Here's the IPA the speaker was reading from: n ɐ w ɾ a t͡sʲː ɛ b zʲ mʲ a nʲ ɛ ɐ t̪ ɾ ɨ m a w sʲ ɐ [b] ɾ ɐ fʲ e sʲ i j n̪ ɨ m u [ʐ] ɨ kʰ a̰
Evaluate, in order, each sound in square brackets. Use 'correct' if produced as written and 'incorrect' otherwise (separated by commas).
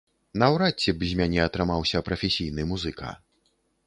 incorrect, incorrect